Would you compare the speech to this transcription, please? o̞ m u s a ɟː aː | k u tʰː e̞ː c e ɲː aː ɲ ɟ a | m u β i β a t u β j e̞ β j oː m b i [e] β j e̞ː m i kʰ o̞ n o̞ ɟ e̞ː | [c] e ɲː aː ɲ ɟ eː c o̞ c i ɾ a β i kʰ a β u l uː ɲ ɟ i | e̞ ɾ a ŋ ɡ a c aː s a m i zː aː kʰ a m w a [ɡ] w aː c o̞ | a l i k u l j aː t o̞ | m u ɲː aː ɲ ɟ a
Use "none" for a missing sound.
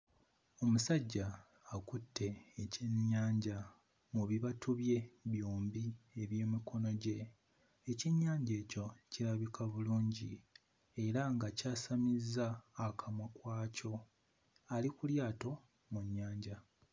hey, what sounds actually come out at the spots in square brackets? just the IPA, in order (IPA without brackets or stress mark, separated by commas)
e, c, k